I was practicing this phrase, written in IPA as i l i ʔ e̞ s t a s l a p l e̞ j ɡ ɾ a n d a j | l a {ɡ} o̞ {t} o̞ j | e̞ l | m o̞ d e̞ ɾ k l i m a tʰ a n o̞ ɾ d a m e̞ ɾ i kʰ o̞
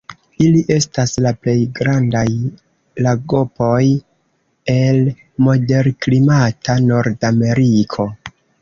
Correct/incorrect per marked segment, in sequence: correct, incorrect

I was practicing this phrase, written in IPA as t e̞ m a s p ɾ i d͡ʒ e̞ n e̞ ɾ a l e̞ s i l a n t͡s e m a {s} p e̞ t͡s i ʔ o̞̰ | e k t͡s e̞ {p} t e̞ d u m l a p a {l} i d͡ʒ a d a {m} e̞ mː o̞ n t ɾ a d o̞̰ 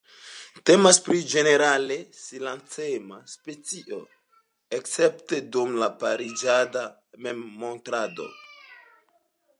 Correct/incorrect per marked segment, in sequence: correct, correct, incorrect, correct

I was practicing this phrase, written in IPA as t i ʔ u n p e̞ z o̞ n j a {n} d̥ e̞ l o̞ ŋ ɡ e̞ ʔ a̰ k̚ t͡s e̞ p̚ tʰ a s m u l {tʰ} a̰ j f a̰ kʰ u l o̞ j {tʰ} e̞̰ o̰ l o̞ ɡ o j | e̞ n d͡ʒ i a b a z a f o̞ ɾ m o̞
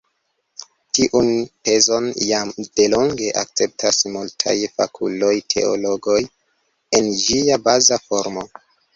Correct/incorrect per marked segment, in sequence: incorrect, correct, correct

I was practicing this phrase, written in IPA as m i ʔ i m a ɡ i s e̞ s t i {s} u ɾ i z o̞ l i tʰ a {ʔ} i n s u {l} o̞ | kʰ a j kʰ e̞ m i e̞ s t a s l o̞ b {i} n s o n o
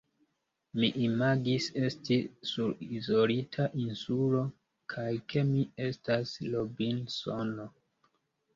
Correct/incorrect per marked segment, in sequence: correct, correct, correct, correct

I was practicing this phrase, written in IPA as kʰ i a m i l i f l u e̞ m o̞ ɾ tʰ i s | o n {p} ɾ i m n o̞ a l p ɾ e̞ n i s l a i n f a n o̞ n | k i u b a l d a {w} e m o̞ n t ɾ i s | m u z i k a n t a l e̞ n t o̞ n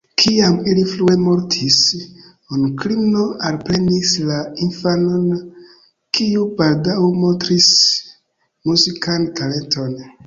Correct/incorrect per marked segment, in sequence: incorrect, correct

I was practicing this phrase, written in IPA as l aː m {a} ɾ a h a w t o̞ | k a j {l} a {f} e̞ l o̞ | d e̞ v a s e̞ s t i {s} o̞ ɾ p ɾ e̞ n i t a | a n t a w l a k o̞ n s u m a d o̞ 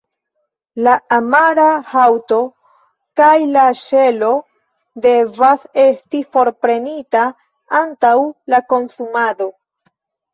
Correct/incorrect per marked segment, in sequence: correct, correct, incorrect, incorrect

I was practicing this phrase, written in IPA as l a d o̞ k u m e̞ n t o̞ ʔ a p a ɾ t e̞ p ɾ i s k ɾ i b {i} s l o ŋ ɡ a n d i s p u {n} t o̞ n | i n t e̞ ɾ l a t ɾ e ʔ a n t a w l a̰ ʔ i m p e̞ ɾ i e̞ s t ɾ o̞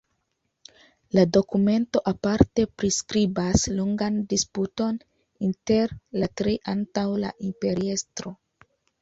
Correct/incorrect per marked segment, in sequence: incorrect, incorrect

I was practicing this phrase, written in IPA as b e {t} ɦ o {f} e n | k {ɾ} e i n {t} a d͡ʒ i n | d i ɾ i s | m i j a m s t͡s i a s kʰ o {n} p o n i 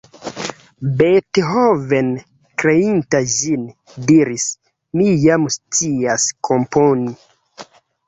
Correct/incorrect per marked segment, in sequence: correct, incorrect, correct, correct, incorrect

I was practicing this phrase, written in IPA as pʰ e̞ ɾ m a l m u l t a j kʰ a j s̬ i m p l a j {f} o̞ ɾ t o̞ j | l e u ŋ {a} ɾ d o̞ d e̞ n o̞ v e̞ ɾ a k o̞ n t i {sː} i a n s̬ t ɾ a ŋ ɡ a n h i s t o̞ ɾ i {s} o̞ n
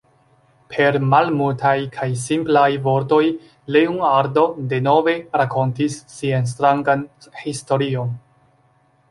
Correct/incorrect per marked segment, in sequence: incorrect, correct, correct, incorrect

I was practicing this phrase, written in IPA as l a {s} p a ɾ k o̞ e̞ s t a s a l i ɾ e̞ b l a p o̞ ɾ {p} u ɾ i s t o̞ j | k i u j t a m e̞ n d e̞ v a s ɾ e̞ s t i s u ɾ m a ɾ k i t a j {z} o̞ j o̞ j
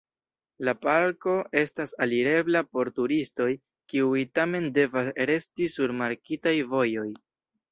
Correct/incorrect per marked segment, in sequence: incorrect, incorrect, incorrect

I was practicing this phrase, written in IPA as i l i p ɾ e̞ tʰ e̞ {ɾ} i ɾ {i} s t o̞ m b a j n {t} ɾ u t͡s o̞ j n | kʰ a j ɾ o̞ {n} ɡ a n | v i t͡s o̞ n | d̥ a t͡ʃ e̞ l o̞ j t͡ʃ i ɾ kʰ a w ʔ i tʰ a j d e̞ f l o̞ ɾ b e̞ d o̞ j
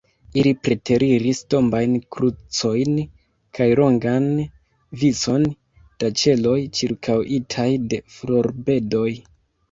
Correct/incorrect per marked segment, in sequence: correct, correct, incorrect, incorrect

